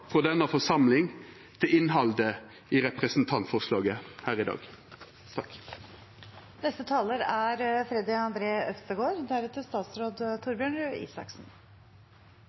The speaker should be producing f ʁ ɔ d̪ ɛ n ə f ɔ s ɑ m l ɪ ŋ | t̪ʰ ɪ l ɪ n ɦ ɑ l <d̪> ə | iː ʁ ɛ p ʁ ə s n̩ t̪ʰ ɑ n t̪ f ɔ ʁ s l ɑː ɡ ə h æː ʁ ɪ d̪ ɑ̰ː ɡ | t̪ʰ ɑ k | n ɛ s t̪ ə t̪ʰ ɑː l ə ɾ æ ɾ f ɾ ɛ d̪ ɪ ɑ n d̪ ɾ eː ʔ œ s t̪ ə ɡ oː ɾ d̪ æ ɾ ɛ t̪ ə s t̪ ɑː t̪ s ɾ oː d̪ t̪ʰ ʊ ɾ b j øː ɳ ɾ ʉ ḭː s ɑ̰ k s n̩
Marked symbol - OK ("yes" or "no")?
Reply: yes